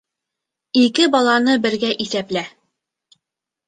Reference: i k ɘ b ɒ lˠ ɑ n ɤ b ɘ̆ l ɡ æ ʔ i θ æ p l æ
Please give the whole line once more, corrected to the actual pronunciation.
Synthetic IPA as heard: i k ɘ b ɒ lˠ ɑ n ɤ b ɘ̆ ɾ ɡ æ ʔ i θ æ p l æ